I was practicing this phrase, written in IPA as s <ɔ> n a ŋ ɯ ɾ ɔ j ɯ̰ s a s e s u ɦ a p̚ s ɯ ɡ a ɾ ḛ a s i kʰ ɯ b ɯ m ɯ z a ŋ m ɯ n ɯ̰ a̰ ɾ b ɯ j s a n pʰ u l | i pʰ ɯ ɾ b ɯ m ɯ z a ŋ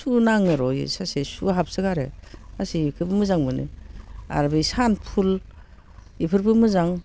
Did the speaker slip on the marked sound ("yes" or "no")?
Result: yes